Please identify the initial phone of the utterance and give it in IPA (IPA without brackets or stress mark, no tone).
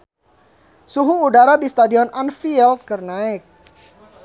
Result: s